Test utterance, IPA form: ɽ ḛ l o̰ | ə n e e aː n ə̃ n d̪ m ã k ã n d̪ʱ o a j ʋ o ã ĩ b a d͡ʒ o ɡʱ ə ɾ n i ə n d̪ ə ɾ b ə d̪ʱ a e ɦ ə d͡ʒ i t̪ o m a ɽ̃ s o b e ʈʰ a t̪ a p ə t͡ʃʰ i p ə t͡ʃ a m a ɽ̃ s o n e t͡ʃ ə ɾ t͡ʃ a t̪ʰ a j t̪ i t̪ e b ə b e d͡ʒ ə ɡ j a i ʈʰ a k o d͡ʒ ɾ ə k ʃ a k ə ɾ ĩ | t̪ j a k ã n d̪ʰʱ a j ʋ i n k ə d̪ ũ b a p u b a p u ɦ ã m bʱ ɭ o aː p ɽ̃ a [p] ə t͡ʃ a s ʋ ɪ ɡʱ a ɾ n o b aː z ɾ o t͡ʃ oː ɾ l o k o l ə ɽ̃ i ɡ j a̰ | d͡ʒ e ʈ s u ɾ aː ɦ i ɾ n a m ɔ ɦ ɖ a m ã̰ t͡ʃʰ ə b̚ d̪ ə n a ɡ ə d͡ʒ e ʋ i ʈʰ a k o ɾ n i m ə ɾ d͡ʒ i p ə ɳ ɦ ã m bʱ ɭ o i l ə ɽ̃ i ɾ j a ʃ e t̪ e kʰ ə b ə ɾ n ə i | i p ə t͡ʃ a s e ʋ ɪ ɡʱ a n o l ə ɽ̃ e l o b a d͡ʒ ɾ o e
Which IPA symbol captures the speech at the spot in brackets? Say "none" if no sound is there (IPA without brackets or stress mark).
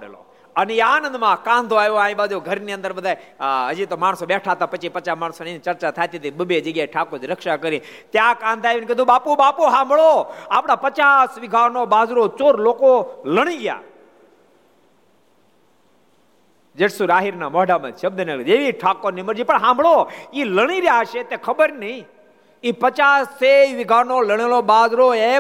p